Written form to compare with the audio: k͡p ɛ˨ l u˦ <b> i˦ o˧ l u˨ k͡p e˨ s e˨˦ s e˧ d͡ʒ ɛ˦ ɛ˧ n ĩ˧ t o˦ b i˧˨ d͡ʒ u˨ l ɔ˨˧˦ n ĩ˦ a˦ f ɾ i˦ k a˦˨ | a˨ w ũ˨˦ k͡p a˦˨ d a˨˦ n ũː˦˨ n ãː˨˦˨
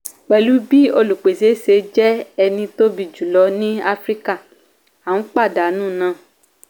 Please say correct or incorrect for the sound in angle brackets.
correct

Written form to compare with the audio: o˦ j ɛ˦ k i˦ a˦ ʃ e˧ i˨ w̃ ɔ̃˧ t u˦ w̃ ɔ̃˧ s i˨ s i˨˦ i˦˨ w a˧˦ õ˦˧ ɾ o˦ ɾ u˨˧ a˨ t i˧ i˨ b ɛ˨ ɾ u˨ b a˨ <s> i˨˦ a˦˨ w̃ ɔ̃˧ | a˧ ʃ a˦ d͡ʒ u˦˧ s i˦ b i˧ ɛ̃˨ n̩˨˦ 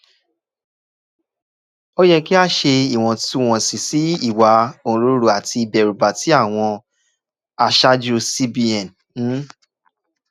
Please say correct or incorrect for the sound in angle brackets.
incorrect: t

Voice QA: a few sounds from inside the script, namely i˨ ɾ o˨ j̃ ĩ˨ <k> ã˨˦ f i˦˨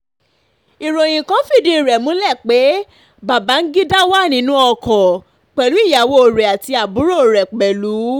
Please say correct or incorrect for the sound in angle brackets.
correct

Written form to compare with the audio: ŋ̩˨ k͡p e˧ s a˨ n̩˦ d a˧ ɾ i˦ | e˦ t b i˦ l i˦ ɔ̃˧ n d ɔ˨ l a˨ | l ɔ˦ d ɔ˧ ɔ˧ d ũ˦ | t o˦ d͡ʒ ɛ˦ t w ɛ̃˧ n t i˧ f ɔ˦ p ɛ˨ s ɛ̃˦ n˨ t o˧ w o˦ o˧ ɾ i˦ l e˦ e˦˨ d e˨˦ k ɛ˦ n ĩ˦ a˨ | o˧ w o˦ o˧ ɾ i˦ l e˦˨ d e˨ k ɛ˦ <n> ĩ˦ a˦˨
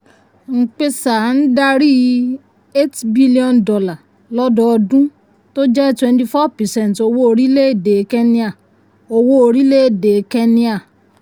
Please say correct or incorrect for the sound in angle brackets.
correct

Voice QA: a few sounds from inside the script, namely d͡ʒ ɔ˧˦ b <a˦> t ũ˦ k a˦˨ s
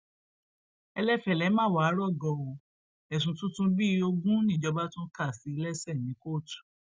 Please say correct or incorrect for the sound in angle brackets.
correct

